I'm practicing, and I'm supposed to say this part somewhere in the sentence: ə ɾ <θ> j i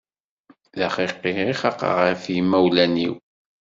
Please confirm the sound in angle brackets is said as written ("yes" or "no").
no